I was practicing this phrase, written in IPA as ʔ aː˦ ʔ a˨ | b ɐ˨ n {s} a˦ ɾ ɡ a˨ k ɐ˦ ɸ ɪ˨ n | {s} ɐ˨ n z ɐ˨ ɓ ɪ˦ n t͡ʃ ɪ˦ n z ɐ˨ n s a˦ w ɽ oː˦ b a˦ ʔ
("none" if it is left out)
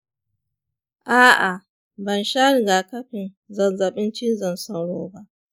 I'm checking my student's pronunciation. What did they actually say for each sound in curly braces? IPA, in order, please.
ʃ, z

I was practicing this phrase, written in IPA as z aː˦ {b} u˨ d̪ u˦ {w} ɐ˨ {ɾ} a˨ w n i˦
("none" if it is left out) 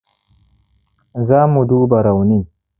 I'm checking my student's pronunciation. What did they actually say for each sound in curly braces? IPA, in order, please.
m, b, ɾ

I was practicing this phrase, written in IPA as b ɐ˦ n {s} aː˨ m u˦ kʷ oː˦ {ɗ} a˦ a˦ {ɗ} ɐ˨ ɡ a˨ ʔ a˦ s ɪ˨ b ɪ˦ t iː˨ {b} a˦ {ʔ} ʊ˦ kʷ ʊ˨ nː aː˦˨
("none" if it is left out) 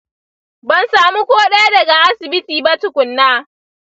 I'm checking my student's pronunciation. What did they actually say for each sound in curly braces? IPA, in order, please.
s, ɗ, d, b, t

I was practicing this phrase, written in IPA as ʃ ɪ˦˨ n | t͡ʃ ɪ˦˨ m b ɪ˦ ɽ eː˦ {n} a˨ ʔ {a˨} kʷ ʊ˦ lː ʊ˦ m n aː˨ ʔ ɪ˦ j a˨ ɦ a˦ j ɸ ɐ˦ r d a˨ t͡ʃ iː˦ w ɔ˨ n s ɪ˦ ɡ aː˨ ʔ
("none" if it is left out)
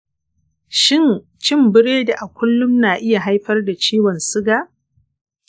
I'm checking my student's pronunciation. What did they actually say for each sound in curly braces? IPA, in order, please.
d, a˨

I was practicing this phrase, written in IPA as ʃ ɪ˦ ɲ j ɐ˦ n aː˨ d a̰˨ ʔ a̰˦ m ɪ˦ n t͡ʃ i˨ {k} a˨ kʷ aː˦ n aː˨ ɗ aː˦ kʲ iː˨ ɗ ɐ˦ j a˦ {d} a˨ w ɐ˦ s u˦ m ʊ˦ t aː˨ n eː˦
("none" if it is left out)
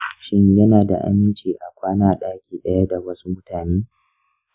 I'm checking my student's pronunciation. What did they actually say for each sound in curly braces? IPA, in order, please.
ʔ, d

